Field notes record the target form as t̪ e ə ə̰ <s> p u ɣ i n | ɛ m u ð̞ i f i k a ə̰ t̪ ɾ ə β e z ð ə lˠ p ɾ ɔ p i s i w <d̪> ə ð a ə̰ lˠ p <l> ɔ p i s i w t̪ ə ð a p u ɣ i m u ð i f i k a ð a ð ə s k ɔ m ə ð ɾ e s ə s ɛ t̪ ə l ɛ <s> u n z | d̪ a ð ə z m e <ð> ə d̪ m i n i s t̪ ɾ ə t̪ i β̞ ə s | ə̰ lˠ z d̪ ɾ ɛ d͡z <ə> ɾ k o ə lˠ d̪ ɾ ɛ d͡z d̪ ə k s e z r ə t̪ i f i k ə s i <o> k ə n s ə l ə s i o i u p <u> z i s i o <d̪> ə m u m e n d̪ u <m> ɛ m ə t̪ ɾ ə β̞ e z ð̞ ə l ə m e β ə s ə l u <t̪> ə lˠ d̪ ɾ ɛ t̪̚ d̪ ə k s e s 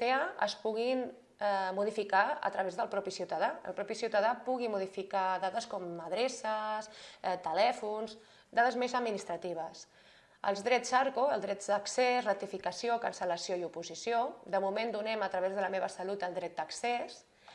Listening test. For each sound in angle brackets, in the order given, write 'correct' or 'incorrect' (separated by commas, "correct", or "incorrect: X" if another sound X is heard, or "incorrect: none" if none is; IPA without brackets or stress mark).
correct, incorrect: t̪, incorrect: ɾ, incorrect: f, incorrect: z, incorrect: a, correct, correct, correct, incorrect: n, correct